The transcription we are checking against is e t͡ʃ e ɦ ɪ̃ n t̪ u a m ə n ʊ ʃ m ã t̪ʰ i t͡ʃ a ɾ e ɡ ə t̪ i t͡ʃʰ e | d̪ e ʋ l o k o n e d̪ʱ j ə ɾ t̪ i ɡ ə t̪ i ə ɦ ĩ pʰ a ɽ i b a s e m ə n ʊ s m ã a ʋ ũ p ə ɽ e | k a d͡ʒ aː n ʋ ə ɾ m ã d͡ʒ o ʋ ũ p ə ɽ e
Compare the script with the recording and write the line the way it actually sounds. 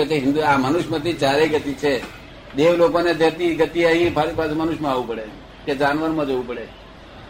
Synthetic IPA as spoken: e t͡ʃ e ɦ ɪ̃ n d̪ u a m ə n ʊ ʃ m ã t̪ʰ i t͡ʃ a ɾ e ɡ ə t̪ i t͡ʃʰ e | d̪ e ʋ l o k o n e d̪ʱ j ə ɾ t̪ i ɡ ə t̪ i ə ɦ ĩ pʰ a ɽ i p a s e m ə n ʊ ʃ m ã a ʋ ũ p ə ɽ e | k e d͡ʒ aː n ʋ ə ɾ m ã d͡ʒ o ʋ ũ p ə ɽ e